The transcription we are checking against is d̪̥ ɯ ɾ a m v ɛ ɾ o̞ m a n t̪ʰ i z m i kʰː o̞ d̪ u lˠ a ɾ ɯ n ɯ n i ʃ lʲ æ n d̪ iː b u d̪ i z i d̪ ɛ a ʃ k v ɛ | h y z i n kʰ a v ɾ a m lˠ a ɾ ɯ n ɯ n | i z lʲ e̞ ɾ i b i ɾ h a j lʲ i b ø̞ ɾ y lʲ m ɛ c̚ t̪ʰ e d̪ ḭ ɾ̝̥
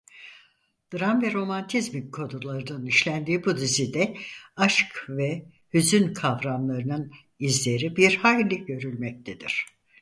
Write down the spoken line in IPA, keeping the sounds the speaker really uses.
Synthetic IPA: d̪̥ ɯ ɾ a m v ɛ ɾ o̞ m a n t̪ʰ i z m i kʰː o̞ d̪ u lˠ a ɾ ɯ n ɯ n i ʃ lʲ æ n d̪ iː b u d̪ i z i d̪ ɛ a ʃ k v ɛ | h y z y n kʰ a v ɾ a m lˠ a ɾ ɯ n ɯ n | i z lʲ e̞ ɾ i b i ɾ h a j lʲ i ɟ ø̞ ɾ y lʲ m ɛ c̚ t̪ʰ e d̪ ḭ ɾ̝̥